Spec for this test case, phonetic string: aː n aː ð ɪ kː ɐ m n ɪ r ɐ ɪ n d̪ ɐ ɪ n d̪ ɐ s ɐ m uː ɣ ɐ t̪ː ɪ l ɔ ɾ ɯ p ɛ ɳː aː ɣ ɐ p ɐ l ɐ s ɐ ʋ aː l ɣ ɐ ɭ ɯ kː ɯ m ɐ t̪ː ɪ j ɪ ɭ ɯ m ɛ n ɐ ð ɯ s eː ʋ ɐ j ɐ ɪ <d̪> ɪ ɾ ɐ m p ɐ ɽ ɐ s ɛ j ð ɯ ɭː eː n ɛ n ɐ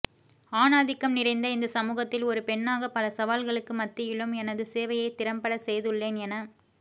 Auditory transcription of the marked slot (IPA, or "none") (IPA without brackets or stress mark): t̪